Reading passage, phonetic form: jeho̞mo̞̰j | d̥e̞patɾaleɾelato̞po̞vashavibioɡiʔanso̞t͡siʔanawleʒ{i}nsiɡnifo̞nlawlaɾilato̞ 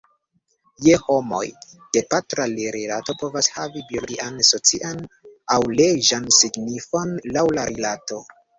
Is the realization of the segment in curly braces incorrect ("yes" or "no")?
yes